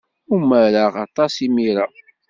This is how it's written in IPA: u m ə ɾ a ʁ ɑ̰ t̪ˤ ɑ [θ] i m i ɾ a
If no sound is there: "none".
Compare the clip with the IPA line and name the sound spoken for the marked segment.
s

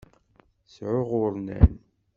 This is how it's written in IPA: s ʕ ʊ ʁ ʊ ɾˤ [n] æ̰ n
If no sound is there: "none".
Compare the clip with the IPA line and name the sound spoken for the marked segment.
n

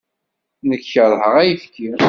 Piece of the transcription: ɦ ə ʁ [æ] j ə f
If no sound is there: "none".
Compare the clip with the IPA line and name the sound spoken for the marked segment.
æ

